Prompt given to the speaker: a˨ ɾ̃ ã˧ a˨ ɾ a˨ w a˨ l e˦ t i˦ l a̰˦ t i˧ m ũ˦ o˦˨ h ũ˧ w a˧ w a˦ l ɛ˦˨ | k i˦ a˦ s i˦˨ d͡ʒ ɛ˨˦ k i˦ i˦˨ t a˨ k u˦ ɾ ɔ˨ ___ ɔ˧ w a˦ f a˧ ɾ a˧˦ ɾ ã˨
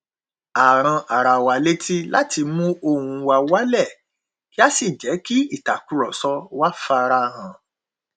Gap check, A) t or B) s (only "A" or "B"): B